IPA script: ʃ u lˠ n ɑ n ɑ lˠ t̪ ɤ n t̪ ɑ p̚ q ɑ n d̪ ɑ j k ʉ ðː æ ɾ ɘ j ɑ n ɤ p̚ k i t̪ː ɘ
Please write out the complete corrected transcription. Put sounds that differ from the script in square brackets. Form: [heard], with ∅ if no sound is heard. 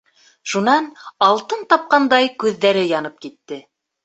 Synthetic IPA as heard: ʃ u [∅] n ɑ n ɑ lˠ t̪ ɤ n t̪ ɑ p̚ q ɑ n d̪ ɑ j k ʉ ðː æ ɾ ɘ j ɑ n ɤ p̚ k i t̪ː ɘ